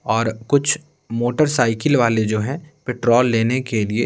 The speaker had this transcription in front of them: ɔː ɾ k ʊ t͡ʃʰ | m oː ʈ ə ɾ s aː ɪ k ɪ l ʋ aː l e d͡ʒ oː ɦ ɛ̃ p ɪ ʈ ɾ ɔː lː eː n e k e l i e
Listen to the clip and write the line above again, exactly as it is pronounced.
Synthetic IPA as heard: ɔː ɾ k ʊ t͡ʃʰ | m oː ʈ ə ɾ s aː ɪ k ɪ l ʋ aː l e d͡ʒ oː ɦ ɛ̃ p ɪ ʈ ɾ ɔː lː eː n e k e l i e